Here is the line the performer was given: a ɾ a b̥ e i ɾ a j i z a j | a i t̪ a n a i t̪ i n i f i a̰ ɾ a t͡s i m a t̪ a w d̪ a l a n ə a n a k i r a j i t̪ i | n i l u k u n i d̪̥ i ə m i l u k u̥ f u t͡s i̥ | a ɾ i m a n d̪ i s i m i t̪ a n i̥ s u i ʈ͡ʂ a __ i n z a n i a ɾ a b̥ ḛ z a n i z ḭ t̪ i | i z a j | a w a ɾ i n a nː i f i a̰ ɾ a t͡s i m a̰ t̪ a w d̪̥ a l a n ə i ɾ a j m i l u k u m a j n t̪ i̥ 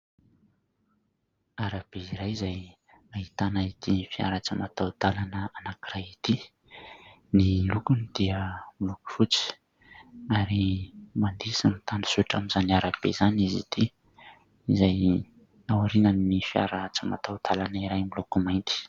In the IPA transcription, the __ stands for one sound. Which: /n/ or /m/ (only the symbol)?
m